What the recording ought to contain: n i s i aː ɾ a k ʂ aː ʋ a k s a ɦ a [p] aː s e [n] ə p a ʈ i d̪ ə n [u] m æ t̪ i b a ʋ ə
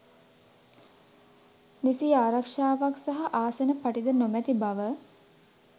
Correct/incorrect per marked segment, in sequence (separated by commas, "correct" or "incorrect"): incorrect, correct, incorrect